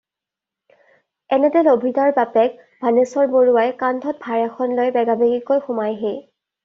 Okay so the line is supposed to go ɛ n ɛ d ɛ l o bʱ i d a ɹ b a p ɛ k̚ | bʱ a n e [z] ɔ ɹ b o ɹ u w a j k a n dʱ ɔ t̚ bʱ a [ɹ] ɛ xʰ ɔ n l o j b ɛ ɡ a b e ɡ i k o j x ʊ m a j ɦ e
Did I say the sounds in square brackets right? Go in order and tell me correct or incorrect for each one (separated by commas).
incorrect, correct